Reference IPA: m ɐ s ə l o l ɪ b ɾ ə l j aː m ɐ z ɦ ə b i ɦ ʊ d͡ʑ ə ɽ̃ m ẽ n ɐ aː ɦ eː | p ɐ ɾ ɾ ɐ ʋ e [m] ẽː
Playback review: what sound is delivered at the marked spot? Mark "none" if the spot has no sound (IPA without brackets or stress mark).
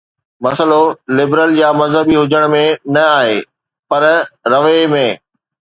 m